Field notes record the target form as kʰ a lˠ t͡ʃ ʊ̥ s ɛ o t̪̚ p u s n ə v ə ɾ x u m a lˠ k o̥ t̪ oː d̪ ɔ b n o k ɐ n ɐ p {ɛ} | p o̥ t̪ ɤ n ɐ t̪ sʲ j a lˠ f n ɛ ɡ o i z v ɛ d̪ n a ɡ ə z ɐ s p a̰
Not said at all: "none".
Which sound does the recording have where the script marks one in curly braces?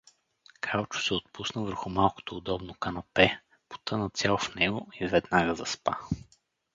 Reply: ɛ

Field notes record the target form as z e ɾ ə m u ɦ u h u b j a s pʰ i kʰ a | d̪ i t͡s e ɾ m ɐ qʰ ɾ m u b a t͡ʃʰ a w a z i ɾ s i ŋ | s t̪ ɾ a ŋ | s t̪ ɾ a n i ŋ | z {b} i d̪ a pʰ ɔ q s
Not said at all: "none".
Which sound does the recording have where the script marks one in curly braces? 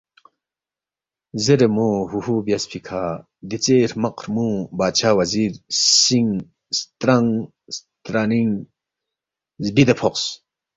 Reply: b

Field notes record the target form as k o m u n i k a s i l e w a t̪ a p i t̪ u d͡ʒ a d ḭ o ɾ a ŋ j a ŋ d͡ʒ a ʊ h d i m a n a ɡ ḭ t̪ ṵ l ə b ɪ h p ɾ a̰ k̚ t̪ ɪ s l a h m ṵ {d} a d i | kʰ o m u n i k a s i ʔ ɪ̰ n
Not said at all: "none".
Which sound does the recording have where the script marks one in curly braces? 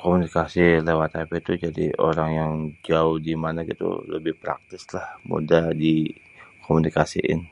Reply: d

